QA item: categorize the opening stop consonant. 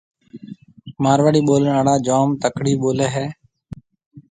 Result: implosive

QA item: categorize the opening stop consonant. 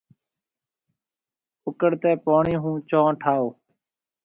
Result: plain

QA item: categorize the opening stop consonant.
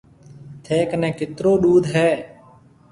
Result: aspirated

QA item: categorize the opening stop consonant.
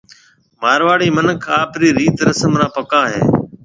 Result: aspirated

